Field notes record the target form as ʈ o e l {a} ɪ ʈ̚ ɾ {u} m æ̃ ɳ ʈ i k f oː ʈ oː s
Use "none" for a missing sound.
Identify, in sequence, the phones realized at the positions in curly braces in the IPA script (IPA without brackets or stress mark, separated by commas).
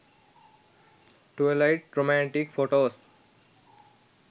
a, o